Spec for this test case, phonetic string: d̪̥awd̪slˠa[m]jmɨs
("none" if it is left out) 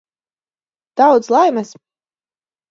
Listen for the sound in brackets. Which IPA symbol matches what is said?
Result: none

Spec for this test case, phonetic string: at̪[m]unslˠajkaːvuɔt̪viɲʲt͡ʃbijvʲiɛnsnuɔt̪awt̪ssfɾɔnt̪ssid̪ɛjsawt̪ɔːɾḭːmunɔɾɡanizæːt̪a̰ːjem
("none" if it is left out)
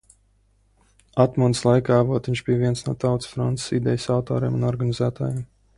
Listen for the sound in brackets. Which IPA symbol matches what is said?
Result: m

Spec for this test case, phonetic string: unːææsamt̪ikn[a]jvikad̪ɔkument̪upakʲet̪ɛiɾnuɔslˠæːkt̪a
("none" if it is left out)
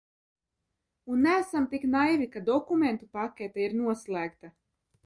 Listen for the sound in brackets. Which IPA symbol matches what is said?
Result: a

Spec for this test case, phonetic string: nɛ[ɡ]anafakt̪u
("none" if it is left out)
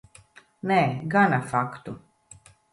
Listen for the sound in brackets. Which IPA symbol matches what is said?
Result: ɡ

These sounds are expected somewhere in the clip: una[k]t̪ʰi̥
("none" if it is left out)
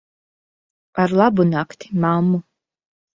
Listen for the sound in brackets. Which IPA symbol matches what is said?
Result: k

